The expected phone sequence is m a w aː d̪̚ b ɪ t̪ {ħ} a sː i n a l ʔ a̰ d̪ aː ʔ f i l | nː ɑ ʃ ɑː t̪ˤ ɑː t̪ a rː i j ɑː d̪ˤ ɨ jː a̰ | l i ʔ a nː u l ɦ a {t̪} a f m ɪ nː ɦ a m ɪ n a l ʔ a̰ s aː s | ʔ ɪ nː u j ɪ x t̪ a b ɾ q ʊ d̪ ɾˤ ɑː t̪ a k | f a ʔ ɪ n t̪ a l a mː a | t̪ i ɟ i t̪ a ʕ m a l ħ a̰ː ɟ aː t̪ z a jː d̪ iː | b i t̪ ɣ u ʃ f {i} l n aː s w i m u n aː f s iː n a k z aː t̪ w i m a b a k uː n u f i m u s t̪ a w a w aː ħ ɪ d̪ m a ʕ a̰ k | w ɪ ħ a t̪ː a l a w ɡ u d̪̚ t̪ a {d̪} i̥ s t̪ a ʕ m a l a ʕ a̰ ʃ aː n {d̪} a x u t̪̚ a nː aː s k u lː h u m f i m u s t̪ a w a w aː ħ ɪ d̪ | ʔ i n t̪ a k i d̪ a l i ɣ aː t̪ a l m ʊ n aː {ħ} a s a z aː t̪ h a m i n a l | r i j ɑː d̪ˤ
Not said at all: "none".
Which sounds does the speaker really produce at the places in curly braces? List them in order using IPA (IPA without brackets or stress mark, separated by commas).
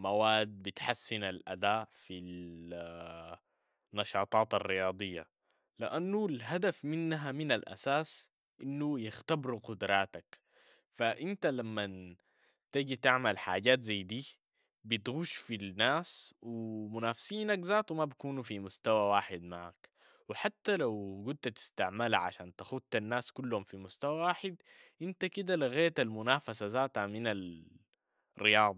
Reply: ħ, d̪, i, t̪, t̪, f